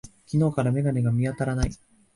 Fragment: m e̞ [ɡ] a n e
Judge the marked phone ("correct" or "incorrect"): correct